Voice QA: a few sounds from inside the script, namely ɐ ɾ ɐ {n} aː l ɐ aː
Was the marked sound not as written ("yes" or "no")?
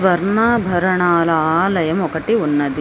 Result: yes